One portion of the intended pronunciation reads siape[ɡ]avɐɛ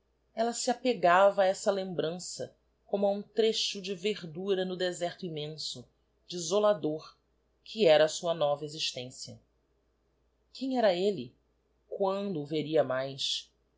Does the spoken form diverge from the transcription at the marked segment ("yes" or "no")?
no